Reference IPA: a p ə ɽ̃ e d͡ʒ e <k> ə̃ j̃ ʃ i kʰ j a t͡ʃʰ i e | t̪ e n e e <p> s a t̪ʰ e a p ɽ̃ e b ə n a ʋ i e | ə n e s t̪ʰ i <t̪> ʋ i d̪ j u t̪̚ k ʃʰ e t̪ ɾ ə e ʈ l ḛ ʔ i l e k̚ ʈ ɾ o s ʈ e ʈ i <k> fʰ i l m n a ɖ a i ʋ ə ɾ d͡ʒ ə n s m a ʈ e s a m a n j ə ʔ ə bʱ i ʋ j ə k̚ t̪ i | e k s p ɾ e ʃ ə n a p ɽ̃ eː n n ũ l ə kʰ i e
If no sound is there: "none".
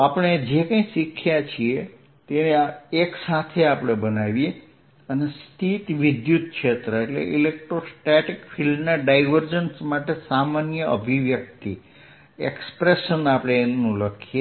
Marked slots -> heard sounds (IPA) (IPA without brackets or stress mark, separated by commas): k, k, t̪, k